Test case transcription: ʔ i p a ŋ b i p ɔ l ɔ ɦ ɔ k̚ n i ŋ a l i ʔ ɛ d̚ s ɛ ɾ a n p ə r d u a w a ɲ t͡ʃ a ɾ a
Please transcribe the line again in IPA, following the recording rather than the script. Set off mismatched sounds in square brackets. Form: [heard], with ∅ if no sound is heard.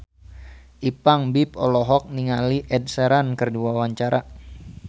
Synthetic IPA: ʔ i p a ŋ b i p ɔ l ɔ ɦ ɔ k̚ n i ŋ a l i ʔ ɛ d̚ s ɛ ɾ a n [k] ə r d u a w a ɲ t͡ʃ a ɾ a